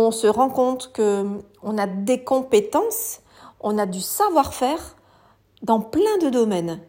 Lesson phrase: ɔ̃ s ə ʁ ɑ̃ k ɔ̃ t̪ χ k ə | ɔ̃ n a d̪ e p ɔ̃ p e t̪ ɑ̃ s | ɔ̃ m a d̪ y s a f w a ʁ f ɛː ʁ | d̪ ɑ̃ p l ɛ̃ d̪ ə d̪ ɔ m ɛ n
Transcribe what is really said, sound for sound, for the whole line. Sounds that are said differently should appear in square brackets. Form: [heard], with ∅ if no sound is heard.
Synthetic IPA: ɔ̃ s ə ʁ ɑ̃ k ɔ̃ t̪ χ k ə | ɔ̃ n a d̪ e [k] ɔ̃ p e t̪ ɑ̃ s | ɔ̃ [n] a d̪ y s a [v] w a ʁ f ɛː ʁ | d̪ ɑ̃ p l ɛ̃ d̪ ə d̪ ɔ m ɛ n